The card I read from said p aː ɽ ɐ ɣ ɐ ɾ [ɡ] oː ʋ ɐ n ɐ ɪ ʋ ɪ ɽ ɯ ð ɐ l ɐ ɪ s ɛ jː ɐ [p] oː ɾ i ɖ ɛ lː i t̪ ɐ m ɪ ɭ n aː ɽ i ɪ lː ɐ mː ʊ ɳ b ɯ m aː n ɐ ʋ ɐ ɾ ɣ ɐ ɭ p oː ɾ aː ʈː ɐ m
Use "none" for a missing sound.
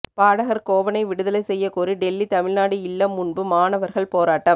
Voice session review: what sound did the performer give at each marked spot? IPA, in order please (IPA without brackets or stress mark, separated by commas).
k, k